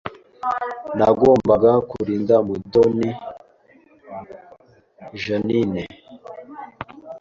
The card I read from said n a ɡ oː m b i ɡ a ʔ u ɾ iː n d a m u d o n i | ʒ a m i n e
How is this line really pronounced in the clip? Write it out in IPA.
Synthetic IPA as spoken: n a ɡ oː m b a ɡ a k u ɾ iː n d a m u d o n i | ʒ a n i n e